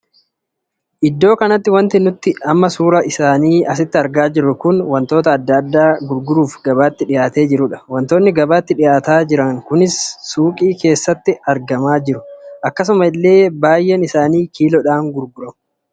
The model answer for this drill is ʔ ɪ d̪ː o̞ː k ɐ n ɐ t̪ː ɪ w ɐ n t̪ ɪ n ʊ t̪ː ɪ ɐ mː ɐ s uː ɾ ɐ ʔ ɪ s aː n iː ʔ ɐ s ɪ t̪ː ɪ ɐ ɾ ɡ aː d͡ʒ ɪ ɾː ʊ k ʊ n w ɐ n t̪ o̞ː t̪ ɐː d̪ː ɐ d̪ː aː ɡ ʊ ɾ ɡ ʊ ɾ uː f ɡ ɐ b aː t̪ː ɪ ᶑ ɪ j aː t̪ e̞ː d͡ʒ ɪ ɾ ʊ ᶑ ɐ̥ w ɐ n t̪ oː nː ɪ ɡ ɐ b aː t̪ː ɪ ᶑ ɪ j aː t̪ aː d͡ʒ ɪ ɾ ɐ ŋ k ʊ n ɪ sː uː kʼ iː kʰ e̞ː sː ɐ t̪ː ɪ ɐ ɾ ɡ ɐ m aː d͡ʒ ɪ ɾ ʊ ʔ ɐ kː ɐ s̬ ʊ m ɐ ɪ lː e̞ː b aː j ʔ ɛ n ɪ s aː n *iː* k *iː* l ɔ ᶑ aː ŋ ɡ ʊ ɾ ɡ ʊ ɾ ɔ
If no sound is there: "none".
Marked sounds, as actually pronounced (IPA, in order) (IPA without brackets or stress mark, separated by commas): iː, iː